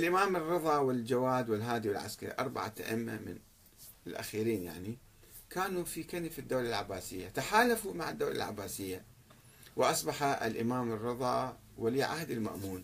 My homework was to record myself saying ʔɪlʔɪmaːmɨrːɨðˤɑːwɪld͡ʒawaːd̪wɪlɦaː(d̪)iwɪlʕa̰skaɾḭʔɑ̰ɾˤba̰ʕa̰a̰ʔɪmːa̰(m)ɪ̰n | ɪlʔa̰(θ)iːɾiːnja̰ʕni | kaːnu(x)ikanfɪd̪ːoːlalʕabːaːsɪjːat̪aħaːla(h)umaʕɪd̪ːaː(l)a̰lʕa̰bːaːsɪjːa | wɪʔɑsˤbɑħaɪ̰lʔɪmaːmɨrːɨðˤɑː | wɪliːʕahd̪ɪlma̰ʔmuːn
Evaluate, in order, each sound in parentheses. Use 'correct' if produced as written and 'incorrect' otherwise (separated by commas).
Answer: correct, correct, incorrect, incorrect, incorrect, correct